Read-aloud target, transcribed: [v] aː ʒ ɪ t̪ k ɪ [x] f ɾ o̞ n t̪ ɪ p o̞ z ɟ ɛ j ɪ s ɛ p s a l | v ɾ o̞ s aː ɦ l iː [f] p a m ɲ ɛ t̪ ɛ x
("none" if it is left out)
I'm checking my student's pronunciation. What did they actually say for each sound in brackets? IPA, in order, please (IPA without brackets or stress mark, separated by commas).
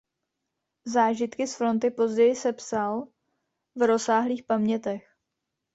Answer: z, s, x